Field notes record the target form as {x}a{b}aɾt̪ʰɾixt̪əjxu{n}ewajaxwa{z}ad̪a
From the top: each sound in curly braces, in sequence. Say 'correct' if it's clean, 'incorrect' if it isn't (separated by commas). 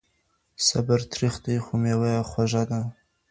incorrect, correct, incorrect, incorrect